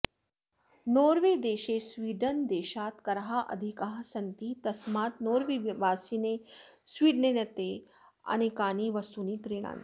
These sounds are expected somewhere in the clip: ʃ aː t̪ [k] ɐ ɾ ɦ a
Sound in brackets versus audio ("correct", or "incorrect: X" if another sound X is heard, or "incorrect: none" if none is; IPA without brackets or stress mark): correct